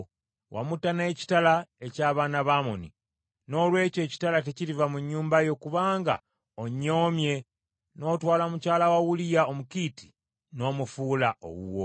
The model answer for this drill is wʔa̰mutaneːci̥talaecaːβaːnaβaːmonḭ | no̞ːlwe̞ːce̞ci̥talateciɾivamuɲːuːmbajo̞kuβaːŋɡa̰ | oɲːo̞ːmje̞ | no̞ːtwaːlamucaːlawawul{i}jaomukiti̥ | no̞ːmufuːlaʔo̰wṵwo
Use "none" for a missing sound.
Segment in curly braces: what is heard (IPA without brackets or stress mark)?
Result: i